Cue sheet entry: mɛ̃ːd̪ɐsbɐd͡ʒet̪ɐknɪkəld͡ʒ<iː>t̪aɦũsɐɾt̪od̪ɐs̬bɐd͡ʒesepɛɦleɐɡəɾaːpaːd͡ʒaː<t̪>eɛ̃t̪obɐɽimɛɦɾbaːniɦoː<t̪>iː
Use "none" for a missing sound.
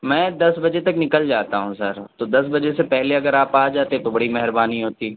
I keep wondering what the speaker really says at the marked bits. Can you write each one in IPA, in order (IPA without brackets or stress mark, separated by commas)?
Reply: aː, t̪, t̪